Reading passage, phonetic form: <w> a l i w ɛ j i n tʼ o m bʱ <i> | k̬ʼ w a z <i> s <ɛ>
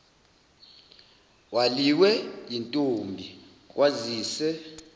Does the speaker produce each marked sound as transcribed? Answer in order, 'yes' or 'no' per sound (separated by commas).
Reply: yes, yes, no, yes